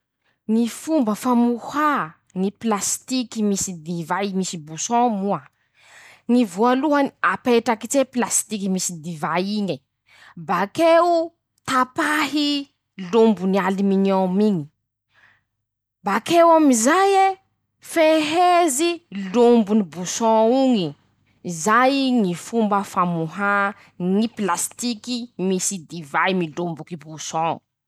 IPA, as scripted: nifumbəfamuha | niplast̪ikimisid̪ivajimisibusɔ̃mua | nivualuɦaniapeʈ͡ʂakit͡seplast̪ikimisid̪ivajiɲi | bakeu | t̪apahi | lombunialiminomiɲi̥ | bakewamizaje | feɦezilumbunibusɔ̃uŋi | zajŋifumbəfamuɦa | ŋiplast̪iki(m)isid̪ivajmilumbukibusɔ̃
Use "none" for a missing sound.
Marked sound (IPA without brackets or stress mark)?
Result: m